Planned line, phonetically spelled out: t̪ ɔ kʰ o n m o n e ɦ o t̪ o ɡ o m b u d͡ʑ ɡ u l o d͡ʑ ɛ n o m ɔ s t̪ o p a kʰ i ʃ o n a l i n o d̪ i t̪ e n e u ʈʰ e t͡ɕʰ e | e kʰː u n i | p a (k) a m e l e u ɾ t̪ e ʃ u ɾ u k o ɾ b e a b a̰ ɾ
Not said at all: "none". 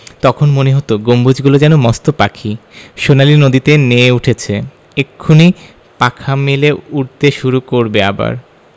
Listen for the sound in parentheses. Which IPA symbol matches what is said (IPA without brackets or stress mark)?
kʰ